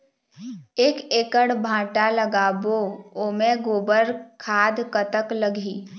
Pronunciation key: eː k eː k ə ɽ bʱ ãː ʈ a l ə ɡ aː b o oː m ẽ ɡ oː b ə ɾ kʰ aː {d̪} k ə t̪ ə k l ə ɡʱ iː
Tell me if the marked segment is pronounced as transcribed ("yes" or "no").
yes